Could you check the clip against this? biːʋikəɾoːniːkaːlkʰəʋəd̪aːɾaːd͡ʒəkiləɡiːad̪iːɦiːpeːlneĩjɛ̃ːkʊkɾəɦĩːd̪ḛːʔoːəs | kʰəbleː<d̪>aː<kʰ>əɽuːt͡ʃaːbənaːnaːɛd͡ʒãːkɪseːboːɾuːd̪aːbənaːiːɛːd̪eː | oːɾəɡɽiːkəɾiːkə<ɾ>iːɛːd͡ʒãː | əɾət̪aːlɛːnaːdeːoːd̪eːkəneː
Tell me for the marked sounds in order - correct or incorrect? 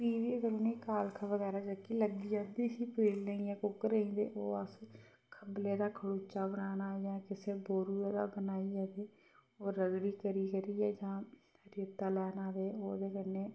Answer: correct, correct, correct

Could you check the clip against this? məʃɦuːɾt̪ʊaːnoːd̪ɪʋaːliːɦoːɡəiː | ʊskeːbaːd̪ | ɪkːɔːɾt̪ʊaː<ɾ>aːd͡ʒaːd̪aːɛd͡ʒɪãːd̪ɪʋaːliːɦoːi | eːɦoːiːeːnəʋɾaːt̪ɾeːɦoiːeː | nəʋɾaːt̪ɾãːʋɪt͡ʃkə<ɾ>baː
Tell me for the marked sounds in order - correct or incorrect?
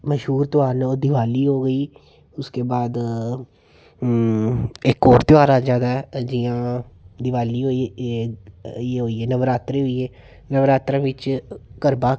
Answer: correct, correct

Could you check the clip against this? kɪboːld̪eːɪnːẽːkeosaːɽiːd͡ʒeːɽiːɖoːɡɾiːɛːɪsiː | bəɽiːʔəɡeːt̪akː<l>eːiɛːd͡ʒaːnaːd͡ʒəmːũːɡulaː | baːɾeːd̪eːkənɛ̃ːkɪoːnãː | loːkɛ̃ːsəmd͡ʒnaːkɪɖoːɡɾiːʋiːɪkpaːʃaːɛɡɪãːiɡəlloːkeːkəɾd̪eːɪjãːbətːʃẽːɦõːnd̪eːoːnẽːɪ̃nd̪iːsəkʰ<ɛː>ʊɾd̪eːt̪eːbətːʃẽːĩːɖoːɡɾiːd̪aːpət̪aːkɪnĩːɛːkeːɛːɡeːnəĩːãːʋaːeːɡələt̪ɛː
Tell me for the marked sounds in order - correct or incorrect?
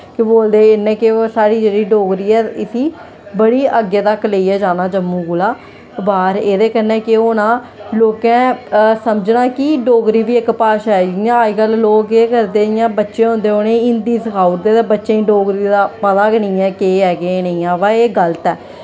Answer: correct, incorrect

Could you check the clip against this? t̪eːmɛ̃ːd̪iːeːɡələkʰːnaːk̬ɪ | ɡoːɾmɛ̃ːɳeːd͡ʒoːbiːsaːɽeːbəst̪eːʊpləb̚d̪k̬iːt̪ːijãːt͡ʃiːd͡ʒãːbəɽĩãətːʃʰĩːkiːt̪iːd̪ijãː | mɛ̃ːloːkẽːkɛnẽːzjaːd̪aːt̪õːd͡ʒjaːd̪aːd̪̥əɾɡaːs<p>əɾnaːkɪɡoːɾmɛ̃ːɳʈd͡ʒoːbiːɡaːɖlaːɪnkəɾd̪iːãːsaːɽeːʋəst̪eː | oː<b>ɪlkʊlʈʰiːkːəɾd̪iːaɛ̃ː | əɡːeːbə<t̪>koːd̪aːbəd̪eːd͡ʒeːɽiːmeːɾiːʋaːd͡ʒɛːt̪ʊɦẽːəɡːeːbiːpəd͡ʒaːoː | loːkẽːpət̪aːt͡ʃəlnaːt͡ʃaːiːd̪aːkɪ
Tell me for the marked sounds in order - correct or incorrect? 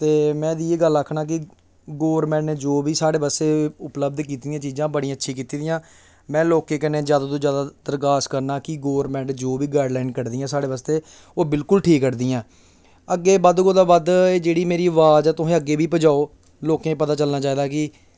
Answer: incorrect, correct, incorrect

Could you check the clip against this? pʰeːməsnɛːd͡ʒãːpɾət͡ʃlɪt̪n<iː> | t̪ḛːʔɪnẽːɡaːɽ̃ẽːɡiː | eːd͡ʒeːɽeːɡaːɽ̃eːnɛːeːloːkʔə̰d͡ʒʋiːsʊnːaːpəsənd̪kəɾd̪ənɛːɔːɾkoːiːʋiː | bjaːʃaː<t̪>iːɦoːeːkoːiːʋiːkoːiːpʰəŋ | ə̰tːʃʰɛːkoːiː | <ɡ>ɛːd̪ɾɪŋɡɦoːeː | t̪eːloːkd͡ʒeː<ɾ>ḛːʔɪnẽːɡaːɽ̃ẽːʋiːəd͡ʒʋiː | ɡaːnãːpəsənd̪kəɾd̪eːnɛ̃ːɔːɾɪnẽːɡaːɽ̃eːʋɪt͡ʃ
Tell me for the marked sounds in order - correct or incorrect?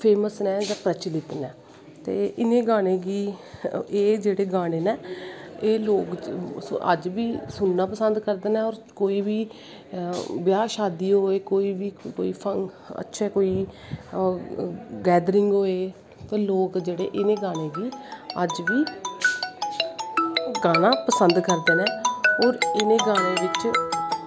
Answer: incorrect, incorrect, correct, incorrect

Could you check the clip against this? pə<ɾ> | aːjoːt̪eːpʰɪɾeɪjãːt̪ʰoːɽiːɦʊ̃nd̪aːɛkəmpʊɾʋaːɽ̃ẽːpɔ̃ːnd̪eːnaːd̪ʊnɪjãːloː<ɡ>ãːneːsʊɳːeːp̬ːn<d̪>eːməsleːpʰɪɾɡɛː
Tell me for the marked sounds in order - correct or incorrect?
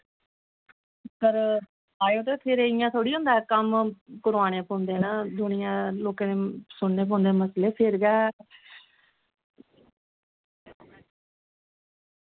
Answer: correct, incorrect, correct

